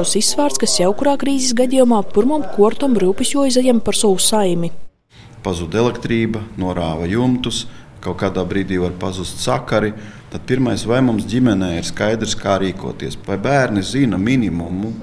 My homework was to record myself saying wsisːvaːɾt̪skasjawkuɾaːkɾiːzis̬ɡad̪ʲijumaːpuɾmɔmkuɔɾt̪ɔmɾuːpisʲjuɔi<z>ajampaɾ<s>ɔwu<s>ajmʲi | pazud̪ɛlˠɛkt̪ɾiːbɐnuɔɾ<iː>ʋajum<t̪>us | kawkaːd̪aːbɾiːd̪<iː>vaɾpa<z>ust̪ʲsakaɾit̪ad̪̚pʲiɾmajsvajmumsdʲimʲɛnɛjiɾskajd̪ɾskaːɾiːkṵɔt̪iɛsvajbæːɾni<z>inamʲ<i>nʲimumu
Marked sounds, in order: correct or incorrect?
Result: correct, correct, correct, incorrect: aː, correct, correct, correct, correct, correct

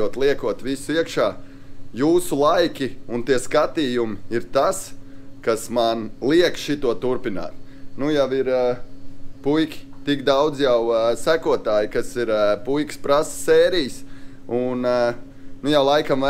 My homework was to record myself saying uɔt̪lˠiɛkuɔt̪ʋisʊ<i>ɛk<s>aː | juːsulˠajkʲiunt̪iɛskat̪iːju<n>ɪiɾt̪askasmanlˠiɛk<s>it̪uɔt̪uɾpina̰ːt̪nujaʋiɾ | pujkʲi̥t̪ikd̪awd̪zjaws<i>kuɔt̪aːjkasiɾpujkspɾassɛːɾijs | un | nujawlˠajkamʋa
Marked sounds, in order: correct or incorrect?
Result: correct, incorrect: ʃ, incorrect: m, incorrect: ʃ, incorrect: æ

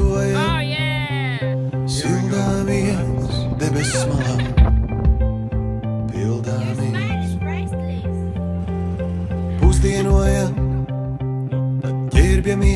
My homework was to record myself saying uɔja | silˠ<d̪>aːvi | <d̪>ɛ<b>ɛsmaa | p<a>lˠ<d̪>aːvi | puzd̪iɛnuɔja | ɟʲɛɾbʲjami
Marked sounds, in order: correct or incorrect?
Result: correct, correct, correct, incorrect: i, correct

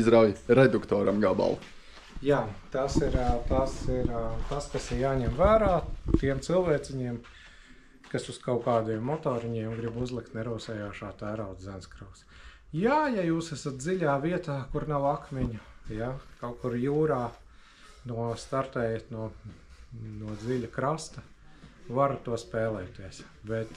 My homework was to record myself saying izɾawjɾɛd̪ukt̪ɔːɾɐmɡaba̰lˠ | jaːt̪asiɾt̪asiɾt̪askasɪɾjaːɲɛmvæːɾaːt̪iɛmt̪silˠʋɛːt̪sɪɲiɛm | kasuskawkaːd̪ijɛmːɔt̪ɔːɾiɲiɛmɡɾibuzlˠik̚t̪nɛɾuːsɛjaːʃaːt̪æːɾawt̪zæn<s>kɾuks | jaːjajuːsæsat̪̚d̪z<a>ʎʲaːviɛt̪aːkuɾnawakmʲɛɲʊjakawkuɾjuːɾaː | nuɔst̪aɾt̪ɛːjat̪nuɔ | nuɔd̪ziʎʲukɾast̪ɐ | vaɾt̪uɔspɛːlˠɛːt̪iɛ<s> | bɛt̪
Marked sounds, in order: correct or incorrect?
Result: correct, incorrect: i, correct

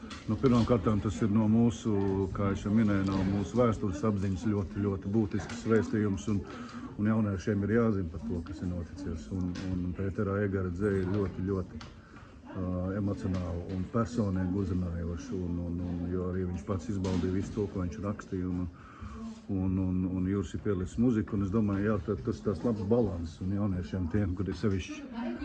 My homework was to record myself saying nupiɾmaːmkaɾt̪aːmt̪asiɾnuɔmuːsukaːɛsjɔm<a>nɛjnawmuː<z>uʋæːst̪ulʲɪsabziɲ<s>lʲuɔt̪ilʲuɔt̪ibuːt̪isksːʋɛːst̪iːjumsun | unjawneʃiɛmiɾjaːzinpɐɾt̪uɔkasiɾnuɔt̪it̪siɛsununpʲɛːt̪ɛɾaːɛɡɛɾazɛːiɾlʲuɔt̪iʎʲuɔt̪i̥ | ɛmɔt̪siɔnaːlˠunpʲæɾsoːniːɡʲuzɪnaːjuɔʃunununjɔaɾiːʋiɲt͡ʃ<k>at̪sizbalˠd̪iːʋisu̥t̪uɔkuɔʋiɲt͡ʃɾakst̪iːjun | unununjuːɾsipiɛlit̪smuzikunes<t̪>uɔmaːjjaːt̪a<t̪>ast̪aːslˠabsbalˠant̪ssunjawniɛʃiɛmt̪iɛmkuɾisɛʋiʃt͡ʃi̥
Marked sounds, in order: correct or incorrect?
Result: incorrect: i, incorrect: s, correct, incorrect: p, incorrect: d̪, correct

